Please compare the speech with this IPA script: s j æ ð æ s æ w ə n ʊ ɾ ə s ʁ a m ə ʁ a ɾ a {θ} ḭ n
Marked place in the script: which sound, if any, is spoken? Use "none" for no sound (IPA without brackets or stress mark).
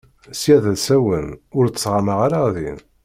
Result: ð